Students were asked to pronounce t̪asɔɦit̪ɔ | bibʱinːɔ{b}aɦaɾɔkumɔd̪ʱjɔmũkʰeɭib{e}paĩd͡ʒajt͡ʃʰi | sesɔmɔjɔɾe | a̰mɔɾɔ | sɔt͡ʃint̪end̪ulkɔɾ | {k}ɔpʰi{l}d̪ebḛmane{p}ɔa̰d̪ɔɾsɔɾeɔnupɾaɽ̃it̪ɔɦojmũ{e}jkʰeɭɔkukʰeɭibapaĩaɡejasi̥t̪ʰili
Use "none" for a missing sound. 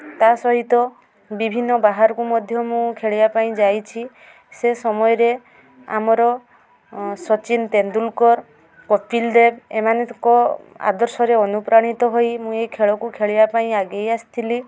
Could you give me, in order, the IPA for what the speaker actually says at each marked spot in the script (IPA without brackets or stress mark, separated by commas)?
b, a, k, l, k, e